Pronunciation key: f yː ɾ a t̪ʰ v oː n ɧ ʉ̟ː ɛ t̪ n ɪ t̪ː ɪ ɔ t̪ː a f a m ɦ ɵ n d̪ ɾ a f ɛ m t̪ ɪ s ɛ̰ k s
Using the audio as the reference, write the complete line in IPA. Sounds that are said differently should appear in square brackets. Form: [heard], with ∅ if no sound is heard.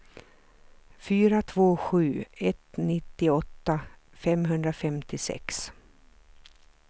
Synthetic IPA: f yː ɾ a t̪ʰ v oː [∅] ɧ ʉ̟ː ɛ t̪ n ɪ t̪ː ɪ ɔ t̪ː a f [ɛ] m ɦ ɵ n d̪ ɾ a f ɛ m t̪ ɪ s ɛ̰ k s

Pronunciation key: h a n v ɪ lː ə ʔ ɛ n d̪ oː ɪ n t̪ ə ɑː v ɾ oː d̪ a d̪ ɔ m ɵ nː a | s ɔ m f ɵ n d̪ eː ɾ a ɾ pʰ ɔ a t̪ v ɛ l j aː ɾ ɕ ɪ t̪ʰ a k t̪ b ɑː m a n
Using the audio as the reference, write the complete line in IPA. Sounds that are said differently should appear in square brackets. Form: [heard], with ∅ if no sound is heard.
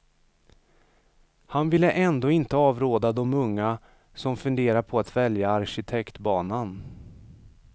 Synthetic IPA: h a n v ɪ lː ə ʔ ɛ n d̪ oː ɪ n t̪ ə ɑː v ɾ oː d̪ a d̪ ɔ m ɵ [ŋː] a | s ɔ m f ɵ n d̪ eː ɾ a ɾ pʰ ɔ a t̪ v ɛ l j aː ɾ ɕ ɪ t̪ʰ [ɛ] k t̪ b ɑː [n] a n

